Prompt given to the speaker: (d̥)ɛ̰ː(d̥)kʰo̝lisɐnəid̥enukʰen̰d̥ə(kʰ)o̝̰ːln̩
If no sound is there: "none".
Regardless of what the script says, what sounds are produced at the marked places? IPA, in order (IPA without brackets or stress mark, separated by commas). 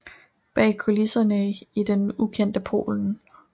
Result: b̥, none, pʰ